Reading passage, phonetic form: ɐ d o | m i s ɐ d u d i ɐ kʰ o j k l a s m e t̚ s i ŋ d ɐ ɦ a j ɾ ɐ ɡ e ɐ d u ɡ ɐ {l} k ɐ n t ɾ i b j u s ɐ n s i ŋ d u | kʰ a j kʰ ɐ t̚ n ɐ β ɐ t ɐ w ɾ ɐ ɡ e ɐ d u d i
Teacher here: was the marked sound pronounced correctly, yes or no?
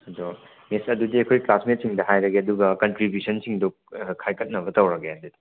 no